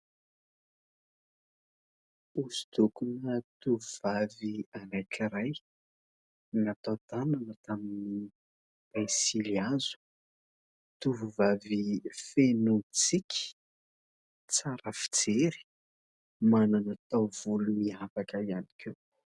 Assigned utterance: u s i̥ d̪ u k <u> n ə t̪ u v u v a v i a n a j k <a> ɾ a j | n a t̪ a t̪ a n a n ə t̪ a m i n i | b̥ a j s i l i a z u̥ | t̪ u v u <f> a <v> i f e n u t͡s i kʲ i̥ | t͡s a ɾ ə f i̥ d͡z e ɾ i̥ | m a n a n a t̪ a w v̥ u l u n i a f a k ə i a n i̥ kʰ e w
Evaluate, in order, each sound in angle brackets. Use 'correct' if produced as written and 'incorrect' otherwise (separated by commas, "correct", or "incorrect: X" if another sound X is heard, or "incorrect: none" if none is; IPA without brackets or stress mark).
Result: correct, incorrect: i, incorrect: v, correct